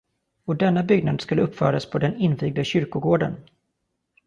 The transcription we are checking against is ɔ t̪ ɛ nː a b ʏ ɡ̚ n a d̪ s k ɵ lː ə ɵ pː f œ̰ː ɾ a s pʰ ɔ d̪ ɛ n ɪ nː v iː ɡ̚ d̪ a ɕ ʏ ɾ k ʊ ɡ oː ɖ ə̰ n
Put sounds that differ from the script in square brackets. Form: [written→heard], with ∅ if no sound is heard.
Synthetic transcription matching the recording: ɔ [t̪→d̪] ɛ nː a b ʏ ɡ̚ n a d̪ s k ɵ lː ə ɵ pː f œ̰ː ɾ a s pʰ ɔ d̪ ɛ n ɪ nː v iː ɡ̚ d̪ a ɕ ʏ ɾ k ʊ ɡ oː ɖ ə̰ n